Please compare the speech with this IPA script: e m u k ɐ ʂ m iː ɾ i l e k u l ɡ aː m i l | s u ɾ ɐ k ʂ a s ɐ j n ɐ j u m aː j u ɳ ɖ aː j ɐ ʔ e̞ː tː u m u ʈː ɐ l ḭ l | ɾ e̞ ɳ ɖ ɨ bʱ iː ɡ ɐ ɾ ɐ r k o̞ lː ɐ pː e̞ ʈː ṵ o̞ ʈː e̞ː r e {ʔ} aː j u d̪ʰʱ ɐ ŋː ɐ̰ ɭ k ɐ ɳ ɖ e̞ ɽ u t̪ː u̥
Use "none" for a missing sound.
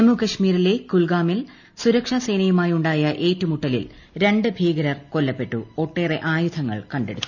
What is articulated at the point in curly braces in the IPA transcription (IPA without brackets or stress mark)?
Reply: ʔ